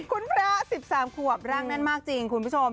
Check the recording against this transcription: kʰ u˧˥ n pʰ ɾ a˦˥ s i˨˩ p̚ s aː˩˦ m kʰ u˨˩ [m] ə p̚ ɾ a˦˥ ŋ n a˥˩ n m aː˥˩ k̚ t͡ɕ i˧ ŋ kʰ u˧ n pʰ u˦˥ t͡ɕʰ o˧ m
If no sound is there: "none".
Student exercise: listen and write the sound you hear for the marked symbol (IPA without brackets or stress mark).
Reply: none